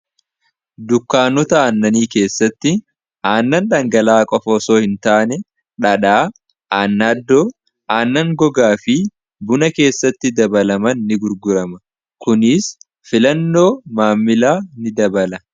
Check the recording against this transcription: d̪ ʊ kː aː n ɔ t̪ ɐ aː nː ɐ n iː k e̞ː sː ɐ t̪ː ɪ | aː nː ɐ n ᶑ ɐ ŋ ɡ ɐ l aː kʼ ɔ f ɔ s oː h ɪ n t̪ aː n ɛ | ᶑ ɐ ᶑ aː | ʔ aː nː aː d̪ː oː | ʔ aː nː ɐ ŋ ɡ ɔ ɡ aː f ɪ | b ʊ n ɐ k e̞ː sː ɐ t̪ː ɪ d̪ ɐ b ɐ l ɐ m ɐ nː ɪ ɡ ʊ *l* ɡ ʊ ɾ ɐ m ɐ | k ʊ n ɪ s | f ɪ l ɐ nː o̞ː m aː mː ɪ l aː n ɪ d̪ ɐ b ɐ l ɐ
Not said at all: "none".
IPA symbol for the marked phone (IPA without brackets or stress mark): ɾ